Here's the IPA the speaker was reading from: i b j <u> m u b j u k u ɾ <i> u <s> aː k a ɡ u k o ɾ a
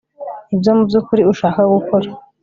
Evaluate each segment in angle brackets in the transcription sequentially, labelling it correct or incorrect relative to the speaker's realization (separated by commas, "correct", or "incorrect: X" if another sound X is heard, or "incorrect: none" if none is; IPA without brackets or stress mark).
incorrect: o, correct, incorrect: ʃ